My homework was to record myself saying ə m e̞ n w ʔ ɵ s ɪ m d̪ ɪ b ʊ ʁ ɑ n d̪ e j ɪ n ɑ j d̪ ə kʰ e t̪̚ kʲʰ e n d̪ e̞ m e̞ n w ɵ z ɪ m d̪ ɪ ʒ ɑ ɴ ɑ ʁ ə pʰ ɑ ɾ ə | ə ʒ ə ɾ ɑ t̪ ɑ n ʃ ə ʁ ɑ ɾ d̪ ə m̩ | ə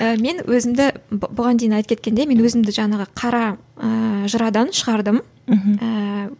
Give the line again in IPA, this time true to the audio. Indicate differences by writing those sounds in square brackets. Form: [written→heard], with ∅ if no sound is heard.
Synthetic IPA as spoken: ə m e̞ n w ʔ ɵ [s→z] ɪ m d̪ ɪ b ʊ ʁ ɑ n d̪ e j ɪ n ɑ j [d̪→t̪] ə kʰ e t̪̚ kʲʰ e n d̪ e̞ m e̞ n w ɵ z ɪ m d̪ ɪ ʒ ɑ ɴ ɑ ʁ ə [pʰ→qʰ] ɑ ɾ [ə→ɑ] | ə ʒ ə ɾ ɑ [t̪→d̪] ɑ n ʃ ə ʁ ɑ ɾ d̪ ə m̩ | ə